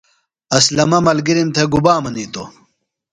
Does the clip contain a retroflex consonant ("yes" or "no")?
no